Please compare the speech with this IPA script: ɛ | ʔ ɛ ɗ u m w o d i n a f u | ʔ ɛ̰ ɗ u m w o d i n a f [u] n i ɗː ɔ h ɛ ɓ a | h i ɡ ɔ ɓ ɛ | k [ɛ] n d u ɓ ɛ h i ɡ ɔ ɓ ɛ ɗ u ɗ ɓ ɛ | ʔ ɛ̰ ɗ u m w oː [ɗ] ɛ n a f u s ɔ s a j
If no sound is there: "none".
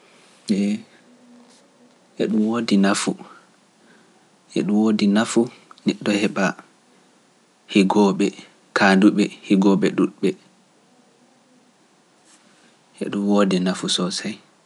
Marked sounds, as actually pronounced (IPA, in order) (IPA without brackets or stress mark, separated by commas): u, a, d